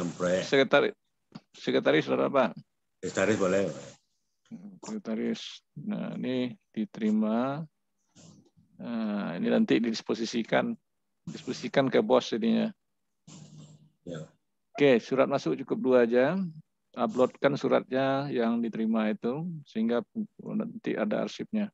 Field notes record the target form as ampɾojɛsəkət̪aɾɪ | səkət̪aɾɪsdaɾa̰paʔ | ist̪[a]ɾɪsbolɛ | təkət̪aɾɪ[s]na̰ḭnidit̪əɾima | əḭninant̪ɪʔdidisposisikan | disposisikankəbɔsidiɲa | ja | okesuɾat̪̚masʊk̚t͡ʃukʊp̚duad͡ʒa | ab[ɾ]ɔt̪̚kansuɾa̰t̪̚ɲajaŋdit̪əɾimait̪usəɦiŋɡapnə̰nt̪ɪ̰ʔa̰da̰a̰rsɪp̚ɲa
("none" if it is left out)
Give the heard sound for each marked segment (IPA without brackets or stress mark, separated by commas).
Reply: a, s, l